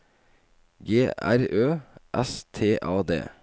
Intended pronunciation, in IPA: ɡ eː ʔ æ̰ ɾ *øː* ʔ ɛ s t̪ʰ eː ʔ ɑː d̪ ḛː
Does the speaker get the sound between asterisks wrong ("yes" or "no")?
no